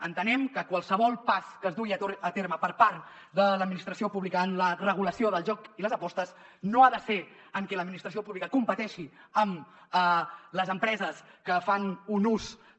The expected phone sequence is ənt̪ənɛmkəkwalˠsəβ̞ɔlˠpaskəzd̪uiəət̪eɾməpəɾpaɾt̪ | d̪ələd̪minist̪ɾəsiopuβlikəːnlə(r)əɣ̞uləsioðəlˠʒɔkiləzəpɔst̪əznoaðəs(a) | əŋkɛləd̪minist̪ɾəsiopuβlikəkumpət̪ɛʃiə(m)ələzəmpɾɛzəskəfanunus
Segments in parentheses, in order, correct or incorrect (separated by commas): correct, incorrect, correct